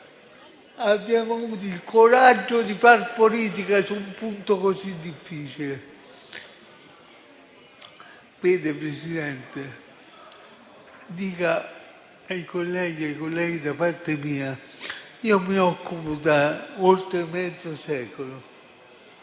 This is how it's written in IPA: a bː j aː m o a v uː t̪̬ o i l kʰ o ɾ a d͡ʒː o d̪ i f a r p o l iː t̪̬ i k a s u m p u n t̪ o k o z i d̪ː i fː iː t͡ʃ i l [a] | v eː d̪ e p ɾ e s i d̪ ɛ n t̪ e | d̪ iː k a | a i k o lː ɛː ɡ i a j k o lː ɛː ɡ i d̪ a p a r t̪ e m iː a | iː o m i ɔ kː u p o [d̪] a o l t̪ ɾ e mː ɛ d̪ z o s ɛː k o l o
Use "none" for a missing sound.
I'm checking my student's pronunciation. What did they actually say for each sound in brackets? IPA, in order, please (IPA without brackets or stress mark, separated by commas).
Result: e, d̪